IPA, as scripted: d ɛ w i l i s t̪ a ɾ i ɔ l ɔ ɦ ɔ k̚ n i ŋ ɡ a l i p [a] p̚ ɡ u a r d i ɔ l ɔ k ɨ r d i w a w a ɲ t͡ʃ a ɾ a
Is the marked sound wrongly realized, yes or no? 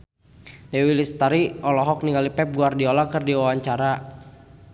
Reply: yes